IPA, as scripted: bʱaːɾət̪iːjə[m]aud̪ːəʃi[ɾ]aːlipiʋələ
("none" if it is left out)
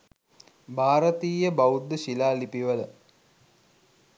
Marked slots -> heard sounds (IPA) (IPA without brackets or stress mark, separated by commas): b, l